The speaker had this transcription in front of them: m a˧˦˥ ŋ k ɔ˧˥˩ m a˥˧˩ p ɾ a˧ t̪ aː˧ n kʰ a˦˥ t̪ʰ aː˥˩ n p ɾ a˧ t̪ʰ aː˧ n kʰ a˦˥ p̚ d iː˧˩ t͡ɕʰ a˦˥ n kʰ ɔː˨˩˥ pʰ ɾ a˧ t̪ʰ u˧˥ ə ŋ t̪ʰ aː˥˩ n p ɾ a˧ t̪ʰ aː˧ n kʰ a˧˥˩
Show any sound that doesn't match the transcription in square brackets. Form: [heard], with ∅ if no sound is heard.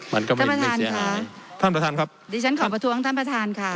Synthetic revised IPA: m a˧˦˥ [n] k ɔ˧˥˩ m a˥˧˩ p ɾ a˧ t̪ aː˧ n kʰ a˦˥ t̪ʰ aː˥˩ n p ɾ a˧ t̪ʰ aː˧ n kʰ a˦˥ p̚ d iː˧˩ t͡ɕʰ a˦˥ n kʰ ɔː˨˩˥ [p] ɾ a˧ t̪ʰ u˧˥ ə ŋ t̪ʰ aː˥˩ n p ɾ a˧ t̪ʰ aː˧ n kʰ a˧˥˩